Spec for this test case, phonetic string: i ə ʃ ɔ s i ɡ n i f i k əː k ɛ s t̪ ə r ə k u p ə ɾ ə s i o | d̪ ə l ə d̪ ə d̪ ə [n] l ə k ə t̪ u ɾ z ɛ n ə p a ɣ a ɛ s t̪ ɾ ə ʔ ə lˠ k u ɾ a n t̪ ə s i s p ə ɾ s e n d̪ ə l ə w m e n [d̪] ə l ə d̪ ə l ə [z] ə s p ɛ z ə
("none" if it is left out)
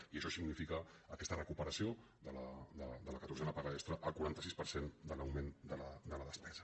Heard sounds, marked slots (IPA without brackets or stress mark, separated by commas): none, d̪, ð